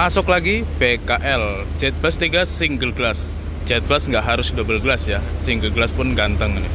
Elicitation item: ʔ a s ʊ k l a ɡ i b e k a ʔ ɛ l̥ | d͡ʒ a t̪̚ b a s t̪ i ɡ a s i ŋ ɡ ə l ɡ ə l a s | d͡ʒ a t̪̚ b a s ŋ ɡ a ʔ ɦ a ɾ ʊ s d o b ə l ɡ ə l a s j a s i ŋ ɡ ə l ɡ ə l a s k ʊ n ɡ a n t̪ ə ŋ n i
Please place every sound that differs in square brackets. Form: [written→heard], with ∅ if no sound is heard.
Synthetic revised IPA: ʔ a s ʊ k l a ɡ i b e k a ʔ ɛ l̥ | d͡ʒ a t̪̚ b a s t̪ i ɡ a s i ŋ ɡ ə l ɡ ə l a s | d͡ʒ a t̪̚ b a s ŋ ɡ a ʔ ɦ a ɾ ʊ s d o b ə l ɡ ə l a s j a s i ŋ ɡ ə l ɡ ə l a s [k→p] ʊ n ɡ a n t̪ ə ŋ n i